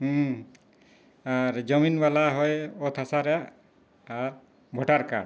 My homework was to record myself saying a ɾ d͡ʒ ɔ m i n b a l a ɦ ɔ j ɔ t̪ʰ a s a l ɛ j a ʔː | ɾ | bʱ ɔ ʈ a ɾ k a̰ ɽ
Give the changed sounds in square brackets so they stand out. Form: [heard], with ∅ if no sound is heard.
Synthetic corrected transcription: a ɾ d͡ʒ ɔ m i n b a l a ɦ ɔ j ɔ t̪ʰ a s a [ɾ] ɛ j a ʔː | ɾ | bʱ ɔ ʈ a ɾ k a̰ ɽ